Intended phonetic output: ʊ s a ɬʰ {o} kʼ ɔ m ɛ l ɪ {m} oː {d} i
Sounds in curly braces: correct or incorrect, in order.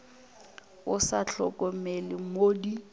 incorrect, correct, correct

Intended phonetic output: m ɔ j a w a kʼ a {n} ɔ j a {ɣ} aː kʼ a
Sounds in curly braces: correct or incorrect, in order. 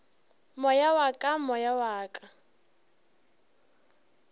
incorrect, incorrect

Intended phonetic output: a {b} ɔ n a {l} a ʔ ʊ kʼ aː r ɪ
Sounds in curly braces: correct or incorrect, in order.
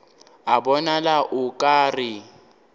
correct, correct

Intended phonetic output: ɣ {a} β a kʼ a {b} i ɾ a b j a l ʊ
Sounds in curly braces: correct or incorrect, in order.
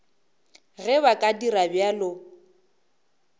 incorrect, incorrect

